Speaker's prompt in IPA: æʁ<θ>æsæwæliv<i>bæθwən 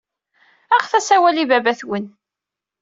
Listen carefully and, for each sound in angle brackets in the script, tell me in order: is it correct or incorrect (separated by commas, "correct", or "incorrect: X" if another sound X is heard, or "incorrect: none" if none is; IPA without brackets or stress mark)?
correct, incorrect: æ